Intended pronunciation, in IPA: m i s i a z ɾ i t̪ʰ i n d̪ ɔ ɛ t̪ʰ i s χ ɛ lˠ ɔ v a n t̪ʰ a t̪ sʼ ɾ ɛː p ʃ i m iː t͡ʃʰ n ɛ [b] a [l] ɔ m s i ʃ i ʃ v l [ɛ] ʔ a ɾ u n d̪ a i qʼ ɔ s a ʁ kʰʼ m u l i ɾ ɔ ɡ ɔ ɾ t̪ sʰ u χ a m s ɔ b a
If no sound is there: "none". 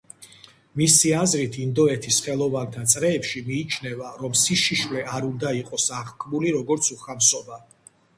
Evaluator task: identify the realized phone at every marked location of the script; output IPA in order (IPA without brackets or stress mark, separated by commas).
v, ɾ, ɛ